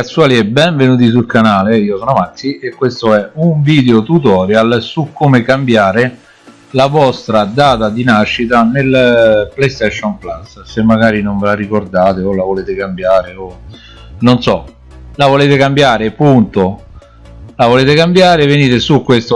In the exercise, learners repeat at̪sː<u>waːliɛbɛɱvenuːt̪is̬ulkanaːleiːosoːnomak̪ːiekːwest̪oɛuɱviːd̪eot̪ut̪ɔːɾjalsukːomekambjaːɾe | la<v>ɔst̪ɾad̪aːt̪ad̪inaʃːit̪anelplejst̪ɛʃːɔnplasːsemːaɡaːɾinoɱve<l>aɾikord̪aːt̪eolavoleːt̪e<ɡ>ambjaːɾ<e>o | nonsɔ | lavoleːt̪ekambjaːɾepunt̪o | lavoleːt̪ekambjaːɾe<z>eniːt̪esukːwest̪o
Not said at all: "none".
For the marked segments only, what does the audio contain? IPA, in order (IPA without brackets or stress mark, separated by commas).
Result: u, v, l, k, e, v